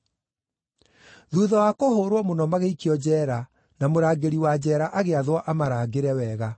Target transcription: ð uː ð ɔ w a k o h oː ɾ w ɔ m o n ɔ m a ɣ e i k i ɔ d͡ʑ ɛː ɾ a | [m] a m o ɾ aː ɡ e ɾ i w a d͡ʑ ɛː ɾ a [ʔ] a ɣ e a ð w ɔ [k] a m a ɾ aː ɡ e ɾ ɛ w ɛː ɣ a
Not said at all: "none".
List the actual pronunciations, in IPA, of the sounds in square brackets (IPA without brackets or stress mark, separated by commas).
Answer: n, ʔ, ʔ